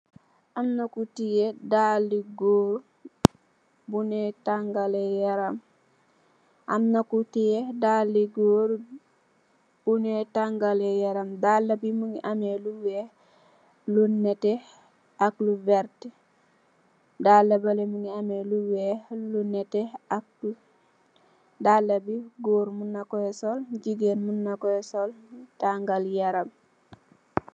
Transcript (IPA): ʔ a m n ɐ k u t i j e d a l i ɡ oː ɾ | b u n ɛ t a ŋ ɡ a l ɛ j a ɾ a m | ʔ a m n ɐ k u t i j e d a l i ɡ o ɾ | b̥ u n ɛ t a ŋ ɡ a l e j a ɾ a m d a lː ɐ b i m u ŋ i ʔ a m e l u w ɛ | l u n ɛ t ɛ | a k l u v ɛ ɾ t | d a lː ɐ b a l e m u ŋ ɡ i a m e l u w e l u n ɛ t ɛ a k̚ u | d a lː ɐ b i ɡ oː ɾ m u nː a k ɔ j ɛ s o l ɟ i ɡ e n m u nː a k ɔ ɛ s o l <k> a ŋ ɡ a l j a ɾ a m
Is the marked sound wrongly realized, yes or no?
yes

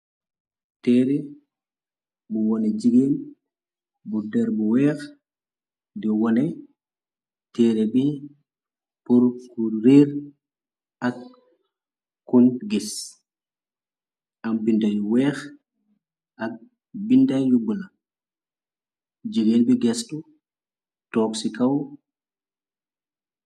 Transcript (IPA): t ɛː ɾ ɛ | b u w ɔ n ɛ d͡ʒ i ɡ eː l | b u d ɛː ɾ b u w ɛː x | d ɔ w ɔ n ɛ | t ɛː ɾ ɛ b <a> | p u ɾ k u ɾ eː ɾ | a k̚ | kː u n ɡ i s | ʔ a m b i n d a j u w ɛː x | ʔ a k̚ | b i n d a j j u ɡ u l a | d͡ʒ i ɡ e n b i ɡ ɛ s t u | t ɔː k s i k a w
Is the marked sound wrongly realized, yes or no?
yes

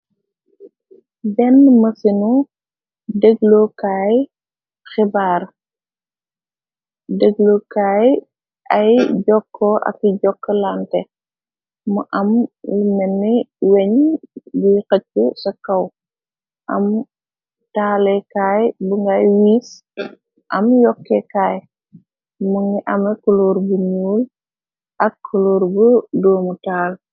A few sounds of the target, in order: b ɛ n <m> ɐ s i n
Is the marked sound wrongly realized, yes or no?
no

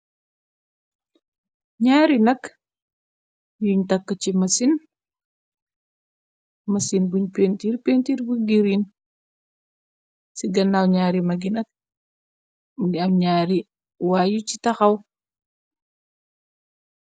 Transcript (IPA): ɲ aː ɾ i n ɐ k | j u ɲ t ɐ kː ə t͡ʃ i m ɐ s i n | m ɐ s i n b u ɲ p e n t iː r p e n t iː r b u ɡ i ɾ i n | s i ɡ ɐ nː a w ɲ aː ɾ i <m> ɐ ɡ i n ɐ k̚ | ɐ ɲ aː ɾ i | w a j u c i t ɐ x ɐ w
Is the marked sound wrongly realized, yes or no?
no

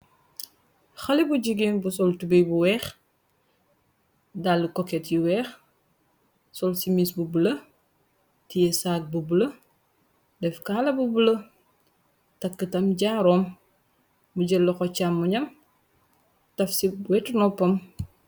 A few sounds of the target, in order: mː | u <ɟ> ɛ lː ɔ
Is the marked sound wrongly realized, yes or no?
no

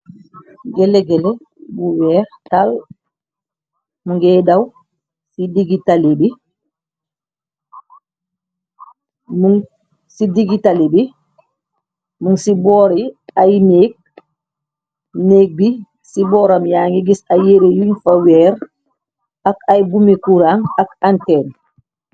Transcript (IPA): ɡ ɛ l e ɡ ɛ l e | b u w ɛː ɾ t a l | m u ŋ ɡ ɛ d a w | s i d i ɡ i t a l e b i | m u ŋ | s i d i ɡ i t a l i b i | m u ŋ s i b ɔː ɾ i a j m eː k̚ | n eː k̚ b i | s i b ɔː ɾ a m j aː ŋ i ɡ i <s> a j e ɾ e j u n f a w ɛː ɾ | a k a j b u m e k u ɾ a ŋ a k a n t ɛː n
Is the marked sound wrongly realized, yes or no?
no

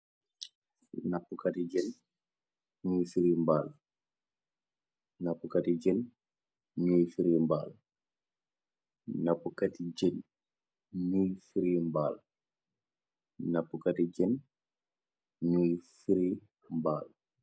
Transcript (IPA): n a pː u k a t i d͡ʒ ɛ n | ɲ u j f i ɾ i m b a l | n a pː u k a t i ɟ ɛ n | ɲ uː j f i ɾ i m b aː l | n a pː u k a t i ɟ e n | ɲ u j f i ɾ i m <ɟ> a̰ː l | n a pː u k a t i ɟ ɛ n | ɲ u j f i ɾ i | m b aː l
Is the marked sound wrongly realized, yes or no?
yes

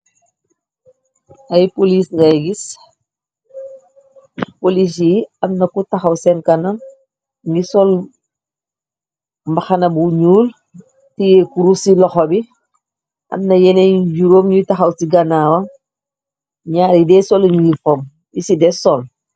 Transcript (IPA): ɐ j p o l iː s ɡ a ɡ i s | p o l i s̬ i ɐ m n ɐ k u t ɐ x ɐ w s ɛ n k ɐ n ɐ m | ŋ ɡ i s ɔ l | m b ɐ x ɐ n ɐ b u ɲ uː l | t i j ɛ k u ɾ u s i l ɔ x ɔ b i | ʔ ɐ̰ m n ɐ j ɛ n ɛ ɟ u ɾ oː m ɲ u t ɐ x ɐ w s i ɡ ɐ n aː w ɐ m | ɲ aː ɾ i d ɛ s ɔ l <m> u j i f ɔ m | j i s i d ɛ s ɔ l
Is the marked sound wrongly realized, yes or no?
yes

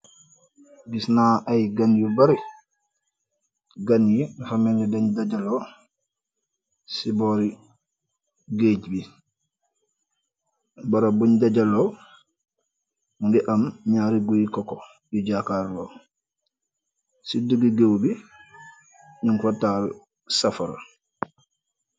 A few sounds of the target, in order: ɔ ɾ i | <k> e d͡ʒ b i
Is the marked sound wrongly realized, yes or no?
yes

